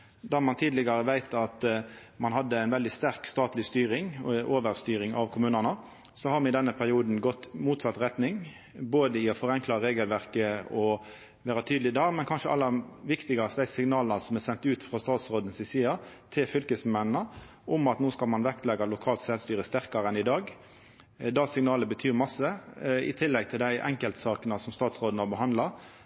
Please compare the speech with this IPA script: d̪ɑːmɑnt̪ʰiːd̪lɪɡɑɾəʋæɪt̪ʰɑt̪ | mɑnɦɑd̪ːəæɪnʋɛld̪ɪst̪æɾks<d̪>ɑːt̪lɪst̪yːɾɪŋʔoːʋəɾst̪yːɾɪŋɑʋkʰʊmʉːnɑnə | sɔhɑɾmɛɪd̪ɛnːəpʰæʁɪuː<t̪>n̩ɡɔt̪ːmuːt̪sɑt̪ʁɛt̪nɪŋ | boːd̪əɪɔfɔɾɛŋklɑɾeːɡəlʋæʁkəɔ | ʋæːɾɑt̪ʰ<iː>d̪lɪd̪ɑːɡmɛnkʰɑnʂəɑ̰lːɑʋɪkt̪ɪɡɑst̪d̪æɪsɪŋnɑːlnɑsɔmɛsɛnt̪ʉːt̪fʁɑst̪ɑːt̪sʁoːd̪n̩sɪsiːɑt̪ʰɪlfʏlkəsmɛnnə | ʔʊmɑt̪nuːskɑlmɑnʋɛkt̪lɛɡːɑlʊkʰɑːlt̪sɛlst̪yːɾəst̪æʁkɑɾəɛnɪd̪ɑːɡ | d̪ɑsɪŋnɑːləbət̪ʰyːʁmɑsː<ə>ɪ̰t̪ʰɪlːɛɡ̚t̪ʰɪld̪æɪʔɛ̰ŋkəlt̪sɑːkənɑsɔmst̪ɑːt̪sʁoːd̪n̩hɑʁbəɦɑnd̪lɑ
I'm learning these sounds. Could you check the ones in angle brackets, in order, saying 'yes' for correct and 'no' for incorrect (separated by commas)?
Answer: no, no, no, yes